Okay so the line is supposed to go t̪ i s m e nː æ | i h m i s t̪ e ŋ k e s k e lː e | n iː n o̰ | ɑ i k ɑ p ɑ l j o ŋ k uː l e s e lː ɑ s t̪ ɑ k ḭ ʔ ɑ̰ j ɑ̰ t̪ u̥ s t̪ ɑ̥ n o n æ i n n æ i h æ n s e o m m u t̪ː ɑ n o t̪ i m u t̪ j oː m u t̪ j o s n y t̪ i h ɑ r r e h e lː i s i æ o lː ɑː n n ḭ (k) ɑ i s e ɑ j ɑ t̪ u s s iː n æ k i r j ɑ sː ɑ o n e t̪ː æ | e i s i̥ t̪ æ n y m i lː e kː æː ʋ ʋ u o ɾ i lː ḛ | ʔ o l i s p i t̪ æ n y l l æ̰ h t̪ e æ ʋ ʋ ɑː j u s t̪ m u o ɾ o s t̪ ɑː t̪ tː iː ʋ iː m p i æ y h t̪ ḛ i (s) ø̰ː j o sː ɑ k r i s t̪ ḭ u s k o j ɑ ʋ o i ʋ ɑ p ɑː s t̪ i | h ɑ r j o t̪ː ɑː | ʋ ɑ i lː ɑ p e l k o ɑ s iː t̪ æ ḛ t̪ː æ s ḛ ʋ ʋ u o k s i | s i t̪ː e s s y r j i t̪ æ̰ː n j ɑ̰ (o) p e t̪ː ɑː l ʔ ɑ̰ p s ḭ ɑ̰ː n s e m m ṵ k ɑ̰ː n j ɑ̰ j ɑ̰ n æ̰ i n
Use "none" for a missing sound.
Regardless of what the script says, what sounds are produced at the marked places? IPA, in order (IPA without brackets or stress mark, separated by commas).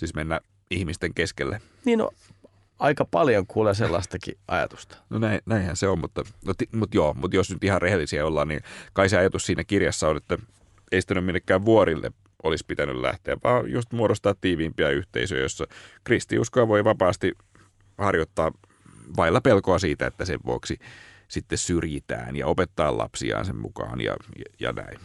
k, s, o